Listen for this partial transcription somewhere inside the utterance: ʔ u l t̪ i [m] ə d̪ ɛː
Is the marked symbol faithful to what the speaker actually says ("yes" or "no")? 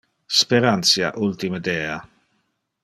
yes